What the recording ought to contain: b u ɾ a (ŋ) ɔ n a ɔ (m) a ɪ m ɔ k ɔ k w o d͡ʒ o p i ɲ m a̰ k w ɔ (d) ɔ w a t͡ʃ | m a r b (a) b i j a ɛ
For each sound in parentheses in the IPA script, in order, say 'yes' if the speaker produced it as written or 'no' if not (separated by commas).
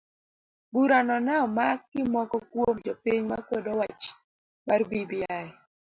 no, yes, yes, no